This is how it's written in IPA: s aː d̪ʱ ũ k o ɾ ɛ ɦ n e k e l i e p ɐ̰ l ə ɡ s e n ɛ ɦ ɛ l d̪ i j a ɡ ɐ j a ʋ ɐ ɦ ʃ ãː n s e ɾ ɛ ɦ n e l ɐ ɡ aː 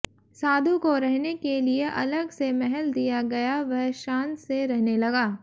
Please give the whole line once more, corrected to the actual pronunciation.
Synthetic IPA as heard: s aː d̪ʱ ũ k o ɾ ɛ ɦ n e k e l i e ʔ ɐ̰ l ə ɡ s e m ɛ ɦ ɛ l d̪ i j a ɡ ɐ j a ʋ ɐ ɦ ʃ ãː n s e ɾ ɛ ɦ n e l ɐ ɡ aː